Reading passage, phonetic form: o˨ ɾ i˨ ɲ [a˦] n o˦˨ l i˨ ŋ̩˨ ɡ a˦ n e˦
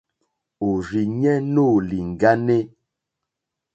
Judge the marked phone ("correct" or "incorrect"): incorrect